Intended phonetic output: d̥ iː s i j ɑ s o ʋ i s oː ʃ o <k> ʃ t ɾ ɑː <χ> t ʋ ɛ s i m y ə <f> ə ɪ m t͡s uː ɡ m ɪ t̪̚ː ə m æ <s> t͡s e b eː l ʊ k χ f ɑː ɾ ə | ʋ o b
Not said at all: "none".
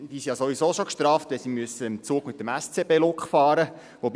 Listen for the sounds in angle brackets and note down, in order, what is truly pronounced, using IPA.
k, f, s, s

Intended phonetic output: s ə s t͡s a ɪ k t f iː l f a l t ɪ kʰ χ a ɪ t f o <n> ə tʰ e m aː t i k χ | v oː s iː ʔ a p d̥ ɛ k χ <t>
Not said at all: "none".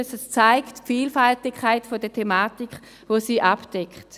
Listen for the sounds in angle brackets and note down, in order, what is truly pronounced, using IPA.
d, t

